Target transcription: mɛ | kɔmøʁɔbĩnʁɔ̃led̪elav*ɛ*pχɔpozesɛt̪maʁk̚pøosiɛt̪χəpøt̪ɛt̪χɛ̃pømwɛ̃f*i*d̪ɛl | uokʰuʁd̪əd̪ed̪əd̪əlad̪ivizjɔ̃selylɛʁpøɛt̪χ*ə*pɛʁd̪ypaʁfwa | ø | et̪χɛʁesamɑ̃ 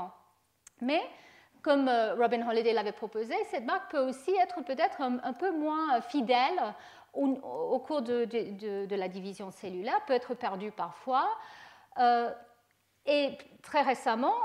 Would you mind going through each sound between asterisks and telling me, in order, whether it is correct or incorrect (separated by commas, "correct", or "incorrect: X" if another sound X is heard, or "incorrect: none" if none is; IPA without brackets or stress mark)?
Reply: correct, correct, correct